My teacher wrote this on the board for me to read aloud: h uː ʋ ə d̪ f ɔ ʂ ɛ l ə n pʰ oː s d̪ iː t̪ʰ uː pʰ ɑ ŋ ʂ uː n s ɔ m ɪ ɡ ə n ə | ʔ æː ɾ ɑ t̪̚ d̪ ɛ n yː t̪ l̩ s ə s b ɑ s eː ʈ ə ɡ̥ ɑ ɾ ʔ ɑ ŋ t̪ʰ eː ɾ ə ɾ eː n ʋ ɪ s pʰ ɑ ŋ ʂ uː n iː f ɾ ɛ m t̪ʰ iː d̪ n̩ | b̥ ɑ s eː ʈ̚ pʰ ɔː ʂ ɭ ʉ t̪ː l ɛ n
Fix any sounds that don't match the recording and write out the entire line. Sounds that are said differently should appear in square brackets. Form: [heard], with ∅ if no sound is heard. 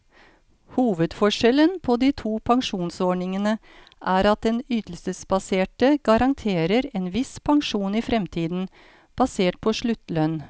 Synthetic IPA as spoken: h uː ʋ ə d̪ f ɔ ʂ ɛ l ə n pʰ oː [∅] d̪ iː t̪ʰ uː pʰ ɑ ŋ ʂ uː n s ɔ [ɳ] ɪ [ŋ] ə n ə | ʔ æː ɾ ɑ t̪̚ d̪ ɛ n yː t̪ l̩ s ə s b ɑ s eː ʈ ə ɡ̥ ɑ ɾ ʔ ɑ ŋ t̪ʰ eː ɾ ə ɾ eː n ʋ ɪ s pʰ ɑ ŋ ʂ uː n iː f ɾ ɛ m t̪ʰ iː d̪ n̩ | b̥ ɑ s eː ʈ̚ pʰ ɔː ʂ ɭ ʉ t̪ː l [œ] n